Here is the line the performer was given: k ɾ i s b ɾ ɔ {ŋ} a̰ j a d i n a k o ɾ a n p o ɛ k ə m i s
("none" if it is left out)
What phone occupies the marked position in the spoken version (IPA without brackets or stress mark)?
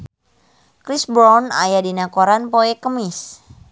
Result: n